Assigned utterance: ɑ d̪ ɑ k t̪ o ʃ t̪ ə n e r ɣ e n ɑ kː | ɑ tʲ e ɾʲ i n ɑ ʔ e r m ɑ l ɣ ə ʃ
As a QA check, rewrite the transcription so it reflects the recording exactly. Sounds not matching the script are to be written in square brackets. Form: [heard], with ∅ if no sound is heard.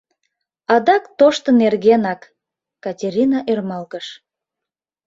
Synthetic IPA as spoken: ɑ d̪ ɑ k t̪ o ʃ t̪ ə n e r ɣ e n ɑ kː | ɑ tʲ e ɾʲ i n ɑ ʔ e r m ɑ l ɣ ə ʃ